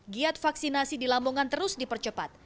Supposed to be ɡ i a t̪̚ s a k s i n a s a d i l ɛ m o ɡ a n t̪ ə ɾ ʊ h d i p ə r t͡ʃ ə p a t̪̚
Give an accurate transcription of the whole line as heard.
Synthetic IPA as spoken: ɡ i a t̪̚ f a k s i n a s i d i l a m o ŋ a n t̪ ə ɾ ʊ s d i p ə r t͡ʃ ə p a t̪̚